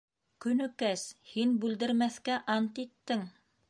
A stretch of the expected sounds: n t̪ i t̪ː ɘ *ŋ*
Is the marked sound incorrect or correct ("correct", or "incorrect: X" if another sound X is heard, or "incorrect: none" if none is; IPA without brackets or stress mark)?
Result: correct